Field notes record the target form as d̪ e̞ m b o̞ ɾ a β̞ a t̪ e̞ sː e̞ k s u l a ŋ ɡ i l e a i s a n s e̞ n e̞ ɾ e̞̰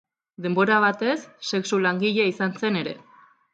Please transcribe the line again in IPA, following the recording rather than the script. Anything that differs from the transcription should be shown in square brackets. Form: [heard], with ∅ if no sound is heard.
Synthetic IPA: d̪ e̞ m b o̞ ɾ a β̞ a t̪ e̞ sː e̞ k s u l a ŋ ɡ i [ʎ] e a i s a n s e̞ n e̞ ɾ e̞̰